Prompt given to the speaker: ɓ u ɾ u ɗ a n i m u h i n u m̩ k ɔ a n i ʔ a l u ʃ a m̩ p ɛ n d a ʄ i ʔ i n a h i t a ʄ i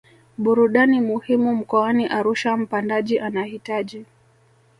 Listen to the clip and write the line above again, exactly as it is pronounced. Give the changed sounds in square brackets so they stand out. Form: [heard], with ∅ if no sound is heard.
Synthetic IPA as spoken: ɓ u ɾ u ɗ a n i m u h i [m] u m̩ k ɔ a n i ʔ a [ɾ] u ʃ a m̩ p [a] n d a ʄ i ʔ [a] n a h i t a ʄ i

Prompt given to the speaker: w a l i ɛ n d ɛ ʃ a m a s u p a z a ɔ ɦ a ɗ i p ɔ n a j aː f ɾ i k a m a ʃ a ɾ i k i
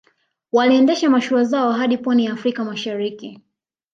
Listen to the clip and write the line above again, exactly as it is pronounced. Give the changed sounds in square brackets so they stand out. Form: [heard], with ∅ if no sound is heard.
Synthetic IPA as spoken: w a l i ɛ n d ɛ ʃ a m a [ʃ] u [∅] a z a ɔ ɦ a ɗ i p ɔ n [i] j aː f ɾ i k a m a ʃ a ɾ i k i

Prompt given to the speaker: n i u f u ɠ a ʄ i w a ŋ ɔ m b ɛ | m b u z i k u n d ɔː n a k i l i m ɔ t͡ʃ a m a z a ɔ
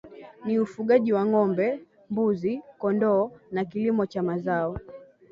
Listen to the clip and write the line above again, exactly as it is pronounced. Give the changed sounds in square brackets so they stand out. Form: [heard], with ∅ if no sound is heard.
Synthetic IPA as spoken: n i u f u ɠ a ʄ i w a ŋ ɔ m b ɛ | m b u z i k [ɔ] n d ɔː n a k i l i m ɔ t͡ʃ a m a z a ɔ

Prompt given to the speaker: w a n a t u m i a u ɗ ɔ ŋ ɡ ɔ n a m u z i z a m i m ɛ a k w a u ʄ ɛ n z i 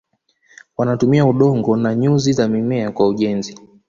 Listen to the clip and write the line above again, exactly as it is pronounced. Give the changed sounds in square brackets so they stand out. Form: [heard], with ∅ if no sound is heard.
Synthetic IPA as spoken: w a n a t u m i a u ɗ ɔ ŋ ɡ ɔ n a [ɲ] u z i z a m i m ɛ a k w a u ʄ ɛ n z i

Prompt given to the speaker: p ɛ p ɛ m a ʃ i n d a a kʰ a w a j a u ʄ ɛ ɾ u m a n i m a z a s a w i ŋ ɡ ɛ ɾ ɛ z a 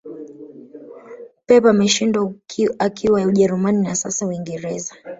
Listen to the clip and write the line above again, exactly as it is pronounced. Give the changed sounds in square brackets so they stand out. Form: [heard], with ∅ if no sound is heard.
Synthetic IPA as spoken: p ɛ p [a] m [ɛ] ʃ i n d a a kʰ [i] w a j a u ʄ ɛ ɾ u m a n i [n] a [s] a s a w i ŋ ɡ ɛ ɾ ɛ z a

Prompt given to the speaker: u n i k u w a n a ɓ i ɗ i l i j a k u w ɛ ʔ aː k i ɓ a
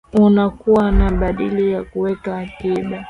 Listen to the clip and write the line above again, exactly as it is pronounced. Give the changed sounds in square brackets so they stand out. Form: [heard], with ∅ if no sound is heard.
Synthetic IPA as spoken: u n [a] k u w a n a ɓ [a] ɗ i l i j a k u w ɛ [k] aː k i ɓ a

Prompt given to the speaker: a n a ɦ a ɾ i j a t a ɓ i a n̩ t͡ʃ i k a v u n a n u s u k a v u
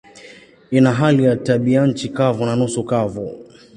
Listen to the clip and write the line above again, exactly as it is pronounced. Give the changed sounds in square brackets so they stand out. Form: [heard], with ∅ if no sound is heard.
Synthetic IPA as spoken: [i] n a ɦ a [l] i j a t a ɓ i a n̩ t͡ʃ i k a v u n a n u s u k a v u

